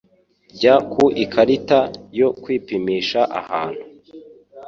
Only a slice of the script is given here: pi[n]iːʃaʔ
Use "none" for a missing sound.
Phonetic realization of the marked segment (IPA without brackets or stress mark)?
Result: m